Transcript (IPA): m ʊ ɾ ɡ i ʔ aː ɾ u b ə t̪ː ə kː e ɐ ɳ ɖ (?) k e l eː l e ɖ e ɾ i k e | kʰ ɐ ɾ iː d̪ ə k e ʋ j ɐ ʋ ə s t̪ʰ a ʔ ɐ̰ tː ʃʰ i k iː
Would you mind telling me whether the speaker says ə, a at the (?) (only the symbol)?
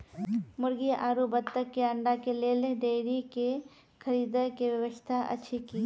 a